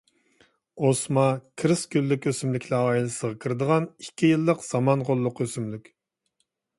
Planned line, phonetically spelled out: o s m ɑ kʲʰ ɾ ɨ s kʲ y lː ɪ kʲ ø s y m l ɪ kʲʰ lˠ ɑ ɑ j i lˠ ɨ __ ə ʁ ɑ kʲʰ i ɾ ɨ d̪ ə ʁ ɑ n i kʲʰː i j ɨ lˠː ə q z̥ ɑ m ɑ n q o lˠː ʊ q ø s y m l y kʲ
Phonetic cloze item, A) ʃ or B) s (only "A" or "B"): B